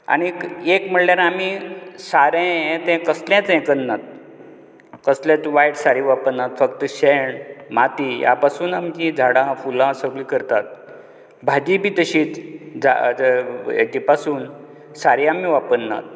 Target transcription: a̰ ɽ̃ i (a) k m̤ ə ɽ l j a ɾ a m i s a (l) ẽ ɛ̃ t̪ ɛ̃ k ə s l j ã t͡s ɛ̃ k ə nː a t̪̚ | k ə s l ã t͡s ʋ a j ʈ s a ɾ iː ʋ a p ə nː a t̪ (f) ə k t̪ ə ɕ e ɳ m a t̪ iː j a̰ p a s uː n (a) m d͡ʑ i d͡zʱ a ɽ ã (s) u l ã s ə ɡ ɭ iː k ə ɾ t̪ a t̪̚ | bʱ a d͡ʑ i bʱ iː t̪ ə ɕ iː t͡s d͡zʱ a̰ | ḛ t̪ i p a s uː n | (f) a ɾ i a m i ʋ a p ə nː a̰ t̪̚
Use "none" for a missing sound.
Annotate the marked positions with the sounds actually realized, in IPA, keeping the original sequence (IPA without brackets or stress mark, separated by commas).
e, ɾ, f, a, f, s